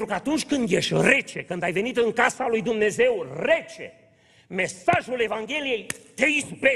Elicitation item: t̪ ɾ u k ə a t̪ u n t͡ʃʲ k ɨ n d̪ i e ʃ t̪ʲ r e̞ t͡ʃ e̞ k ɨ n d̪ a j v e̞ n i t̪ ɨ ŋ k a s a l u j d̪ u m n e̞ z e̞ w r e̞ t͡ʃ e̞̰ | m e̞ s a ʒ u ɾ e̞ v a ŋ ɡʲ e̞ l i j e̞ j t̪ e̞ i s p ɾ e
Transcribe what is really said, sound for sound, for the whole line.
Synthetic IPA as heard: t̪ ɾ u k ə a t̪ u n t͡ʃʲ k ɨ n d̪ j e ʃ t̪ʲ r e̞ t͡ʃ e̞ k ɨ n d̪ a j v e̞ n i t̪ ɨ ŋ k a s a l u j d̪ u m n e̞ z e̞ w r e̞ t͡ʃ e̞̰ | m e̞ s a ʒ u l e̞ v a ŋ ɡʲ e̞ l i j e̞ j t̪ e̞ i s p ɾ e